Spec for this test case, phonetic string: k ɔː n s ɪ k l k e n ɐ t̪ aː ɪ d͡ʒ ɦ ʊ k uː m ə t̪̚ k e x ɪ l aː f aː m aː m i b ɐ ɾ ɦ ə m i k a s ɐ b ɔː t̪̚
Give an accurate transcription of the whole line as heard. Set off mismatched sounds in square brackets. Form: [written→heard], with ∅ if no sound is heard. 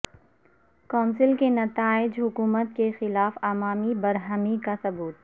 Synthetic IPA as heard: k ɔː n s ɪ [k→∅] l k e n ɐ t̪ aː ɪ d͡ʒ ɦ ʊ k uː m ə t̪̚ k e x ɪ l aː f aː m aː m i b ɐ ɾ ɦ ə m i k a s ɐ b [ɔː→uː] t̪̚